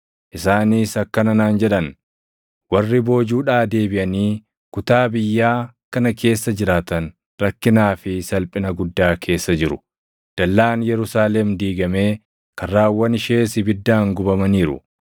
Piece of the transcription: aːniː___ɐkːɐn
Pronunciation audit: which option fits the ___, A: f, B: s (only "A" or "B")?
B